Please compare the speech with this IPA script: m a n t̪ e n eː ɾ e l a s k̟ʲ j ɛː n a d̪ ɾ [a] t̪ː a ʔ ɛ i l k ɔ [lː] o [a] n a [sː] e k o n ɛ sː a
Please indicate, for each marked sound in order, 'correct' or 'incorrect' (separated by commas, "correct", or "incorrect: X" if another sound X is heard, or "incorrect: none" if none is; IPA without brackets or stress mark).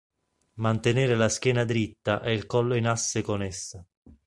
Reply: incorrect: i, correct, incorrect: i, correct